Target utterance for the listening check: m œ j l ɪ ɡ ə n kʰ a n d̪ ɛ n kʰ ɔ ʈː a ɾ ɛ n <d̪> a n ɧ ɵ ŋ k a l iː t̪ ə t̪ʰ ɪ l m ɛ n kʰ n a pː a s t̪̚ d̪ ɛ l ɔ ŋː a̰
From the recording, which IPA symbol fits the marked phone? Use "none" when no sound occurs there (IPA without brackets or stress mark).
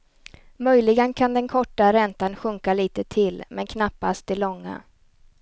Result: t̪